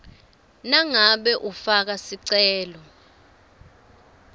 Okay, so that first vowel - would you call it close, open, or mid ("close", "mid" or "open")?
open